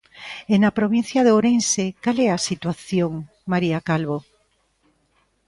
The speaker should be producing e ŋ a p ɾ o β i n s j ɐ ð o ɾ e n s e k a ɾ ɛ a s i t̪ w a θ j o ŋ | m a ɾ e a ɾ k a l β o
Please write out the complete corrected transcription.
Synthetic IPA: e n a p ɾ o β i n θ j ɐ ð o ɾ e n s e k a l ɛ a s i t̪ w a θ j o ŋ | m a ɾ i a k a l β o